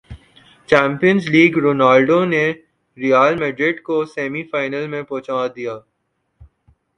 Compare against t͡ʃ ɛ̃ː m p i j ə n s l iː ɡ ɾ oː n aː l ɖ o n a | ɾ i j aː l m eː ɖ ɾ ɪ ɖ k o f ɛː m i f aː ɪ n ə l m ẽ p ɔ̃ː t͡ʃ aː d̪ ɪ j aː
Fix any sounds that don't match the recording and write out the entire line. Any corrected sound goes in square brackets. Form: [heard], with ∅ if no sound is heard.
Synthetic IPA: t͡ʃ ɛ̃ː m p i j ə n [z] l iː ɡ ɾ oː n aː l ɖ o n [e] | ɾ i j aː l m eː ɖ ɾ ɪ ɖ k o [s] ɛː m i f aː ɪ n ə l m ẽ p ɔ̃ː t͡ʃ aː d̪ [i] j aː